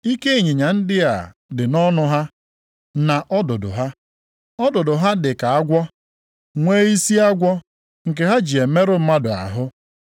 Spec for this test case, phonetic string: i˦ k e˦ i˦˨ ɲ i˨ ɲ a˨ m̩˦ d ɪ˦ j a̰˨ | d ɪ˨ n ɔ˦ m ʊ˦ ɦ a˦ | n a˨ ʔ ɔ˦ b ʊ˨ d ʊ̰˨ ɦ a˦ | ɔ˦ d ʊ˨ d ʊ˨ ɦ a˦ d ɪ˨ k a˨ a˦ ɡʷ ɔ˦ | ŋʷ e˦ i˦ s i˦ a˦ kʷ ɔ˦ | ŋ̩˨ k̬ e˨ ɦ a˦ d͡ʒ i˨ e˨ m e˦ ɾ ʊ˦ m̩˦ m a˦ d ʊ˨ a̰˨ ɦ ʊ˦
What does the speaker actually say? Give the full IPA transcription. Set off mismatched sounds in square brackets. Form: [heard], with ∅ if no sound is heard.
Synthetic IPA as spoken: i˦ k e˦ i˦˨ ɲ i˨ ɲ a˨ [n̩˦] d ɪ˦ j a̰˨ | d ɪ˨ n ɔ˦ [n] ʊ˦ ɦ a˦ | n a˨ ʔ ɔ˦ [d] ʊ˨ d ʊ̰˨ ɦ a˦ | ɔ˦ d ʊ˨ d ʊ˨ ɦ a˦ d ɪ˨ k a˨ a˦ ɡʷ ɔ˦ | ŋʷ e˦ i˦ s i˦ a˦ [ɡʷ] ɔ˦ | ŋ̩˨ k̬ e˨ ɦ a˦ d͡ʒ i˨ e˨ m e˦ ɾ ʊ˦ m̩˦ m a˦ d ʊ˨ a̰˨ ɦ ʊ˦